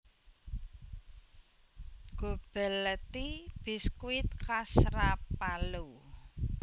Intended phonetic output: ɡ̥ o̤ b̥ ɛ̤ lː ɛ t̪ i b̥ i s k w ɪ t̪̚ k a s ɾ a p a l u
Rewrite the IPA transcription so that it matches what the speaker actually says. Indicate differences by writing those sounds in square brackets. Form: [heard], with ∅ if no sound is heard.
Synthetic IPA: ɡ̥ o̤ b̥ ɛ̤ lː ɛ t̪ i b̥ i s k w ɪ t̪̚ k a s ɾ a p a l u

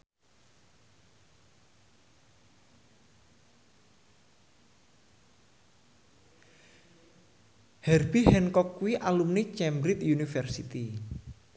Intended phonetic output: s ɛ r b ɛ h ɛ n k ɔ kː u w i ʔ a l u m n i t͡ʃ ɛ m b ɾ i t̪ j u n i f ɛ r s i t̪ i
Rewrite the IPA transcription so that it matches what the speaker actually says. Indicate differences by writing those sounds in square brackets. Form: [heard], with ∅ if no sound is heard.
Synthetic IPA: [h] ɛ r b [i] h ɛ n k ɔ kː u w i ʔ a l u m n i t͡ʃ ɛ m b ɾ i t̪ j u n i f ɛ r s i t̪ i

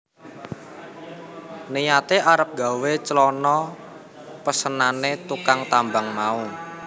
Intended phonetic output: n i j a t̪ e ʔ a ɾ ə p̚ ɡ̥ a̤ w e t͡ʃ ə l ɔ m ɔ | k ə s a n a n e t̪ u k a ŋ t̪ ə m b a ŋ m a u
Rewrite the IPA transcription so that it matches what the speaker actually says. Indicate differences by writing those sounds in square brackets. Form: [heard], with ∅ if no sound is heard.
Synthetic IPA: n i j a t̪ e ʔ a ɾ ə p̚ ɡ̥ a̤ w e t͡ʃ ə l ɔ [n] ɔ | [p] ə s [ə] n a n e t̪ u k a ŋ t̪ [a] m b a ŋ m a u

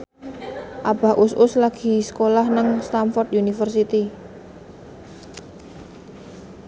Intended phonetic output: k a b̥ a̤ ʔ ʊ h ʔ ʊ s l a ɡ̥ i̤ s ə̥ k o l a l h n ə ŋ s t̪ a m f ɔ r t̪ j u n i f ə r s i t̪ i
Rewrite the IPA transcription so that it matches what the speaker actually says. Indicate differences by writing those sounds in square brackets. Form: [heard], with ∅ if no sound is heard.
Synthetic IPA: [ʔ] a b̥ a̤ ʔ ʊ [s] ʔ ʊ s l a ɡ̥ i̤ s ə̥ k o l a [∅] h n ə ŋ s t̪ a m f ɔ r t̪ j u n i f ə r s i t̪ i

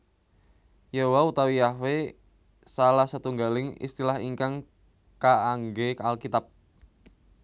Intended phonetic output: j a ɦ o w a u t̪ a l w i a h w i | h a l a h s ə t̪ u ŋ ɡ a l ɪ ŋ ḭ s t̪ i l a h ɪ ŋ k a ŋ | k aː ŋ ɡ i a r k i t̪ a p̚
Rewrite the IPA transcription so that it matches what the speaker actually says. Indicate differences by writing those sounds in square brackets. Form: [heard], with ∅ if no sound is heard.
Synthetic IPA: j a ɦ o w a u t̪ a [∅] w i a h w [e] | [s] a l a h s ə t̪ u ŋ ɡ a l ɪ ŋ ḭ s t̪ i l a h [i] ŋ k a ŋ | k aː ŋ ɡ [e] a [l] k i t̪ a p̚

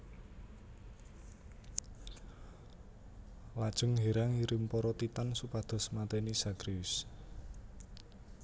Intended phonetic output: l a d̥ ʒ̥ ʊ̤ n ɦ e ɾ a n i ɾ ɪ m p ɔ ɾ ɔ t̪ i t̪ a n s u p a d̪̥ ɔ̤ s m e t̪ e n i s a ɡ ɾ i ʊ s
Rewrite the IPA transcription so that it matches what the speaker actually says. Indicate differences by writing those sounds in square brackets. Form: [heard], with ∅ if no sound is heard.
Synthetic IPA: l a d̥ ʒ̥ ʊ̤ [ŋ] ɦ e ɾ a [ŋ] i ɾ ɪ m p ɔ ɾ ɔ t̪ i t̪ a n s u p a d̪̥ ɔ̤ s m [a] t̪ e n i s a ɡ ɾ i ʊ s

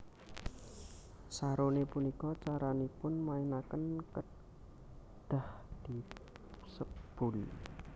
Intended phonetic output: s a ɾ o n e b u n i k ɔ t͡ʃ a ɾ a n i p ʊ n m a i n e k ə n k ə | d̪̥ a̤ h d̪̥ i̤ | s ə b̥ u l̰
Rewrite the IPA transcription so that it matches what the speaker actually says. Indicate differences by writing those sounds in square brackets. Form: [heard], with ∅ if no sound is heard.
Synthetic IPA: s a ɾ o n e [p] u n i k ɔ t͡ʃ a ɾ a n i p ʊ n m a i n [a] k ə n k ə | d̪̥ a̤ h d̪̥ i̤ | s ə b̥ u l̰

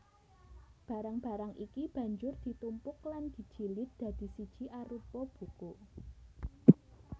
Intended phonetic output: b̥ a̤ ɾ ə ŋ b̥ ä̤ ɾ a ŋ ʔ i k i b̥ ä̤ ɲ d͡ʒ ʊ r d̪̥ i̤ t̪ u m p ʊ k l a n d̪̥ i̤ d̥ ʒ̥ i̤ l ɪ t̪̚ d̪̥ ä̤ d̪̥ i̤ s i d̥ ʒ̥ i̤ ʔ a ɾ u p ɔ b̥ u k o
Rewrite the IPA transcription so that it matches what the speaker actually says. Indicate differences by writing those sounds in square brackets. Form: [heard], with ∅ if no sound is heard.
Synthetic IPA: b̥ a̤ ɾ [a] ŋ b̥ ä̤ ɾ a ŋ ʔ i k i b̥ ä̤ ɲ d͡ʒ ʊ r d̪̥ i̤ t̪ u m p ʊ k l a n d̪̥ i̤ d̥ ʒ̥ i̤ l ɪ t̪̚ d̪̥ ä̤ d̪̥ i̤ s i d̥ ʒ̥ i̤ ʔ a ɾ u p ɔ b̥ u k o

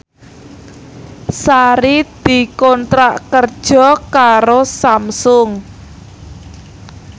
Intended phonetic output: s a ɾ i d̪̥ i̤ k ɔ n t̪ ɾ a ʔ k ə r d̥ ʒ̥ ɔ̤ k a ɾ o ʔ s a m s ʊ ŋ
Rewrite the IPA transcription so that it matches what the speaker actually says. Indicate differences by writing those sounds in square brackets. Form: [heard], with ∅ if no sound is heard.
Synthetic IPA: s a ɾ i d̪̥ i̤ k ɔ n t̪ ɾ a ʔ k ə r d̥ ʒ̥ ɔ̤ k a ɾ o [∅] s a m s ʊ ŋ

